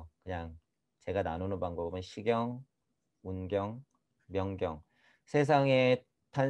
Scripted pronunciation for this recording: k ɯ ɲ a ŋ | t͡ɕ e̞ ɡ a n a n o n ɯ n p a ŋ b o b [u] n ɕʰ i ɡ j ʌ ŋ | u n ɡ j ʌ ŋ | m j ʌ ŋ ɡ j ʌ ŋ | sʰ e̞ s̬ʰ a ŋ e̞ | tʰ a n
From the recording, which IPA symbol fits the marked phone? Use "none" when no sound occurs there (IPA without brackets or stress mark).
ɯ